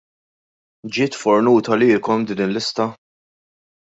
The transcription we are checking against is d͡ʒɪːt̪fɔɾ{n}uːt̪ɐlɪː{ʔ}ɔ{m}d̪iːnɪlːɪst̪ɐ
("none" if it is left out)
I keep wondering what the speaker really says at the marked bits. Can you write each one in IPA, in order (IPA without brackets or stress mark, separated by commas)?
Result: n, k, m